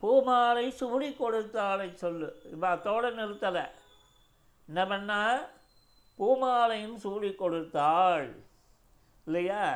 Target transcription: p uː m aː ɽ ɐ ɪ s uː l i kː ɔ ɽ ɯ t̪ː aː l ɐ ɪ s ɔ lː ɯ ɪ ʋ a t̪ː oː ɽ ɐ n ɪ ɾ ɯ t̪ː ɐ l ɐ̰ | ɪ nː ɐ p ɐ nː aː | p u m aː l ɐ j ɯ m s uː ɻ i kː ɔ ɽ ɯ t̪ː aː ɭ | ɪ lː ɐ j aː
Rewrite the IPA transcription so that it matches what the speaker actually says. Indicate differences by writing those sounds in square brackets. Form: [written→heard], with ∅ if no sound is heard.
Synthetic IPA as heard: p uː m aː [ɽ→l] ɐ ɪ s uː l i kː ɔ ɽ ɯ t̪ː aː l ɐ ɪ s ɔ lː ɯ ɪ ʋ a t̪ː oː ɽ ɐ n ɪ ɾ ɯ t̪ː ɐ l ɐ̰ | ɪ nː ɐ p ɐ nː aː | p [u→uː] m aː l ɐ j ɯ m s uː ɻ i kː ɔ ɽ ɯ t̪ː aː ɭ | ɪ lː ɐ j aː